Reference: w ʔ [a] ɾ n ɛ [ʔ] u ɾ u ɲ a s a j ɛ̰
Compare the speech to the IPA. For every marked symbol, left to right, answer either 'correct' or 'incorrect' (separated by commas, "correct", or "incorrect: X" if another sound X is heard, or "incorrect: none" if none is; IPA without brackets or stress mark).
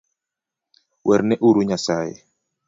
incorrect: ɛ, correct